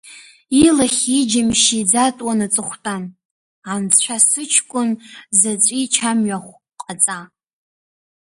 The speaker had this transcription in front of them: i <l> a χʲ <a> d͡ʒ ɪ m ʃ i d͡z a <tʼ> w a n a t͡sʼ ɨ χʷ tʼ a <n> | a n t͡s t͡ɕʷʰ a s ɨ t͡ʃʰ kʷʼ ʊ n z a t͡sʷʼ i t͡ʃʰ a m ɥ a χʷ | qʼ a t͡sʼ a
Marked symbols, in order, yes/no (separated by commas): yes, no, yes, yes